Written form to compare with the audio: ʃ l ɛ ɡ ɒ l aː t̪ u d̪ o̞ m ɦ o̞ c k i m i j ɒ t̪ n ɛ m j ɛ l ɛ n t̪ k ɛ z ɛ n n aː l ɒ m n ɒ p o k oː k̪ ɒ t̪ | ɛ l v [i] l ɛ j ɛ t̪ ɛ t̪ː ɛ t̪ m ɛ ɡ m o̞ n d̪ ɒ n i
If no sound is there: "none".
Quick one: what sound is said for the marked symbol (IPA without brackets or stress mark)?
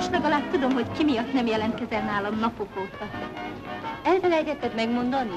ɛ